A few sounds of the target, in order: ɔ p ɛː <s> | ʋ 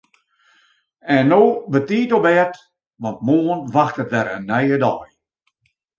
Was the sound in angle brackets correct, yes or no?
no